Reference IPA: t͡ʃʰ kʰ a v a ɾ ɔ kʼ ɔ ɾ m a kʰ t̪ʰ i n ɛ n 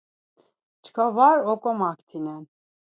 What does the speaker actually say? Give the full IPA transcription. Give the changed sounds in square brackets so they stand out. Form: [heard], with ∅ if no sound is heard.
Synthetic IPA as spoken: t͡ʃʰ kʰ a v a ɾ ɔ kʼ ɔ [∅] m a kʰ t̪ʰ i n ɛ n